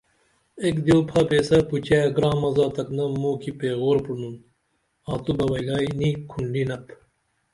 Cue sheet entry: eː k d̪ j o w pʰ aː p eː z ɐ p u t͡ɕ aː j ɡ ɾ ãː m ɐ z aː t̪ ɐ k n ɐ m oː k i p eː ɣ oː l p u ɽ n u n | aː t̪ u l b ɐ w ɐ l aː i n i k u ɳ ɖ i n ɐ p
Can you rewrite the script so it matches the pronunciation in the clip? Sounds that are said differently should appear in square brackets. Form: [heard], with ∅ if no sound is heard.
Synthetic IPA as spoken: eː k d̪ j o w pʰ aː p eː [s] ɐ p u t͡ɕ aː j ɡ ɾ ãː m ɐ z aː t̪ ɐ k n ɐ m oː k i p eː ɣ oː [ɾ] p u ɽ n u n | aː t̪ u [∅] b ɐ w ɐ l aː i n i [kʰ] u ɳ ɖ i n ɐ p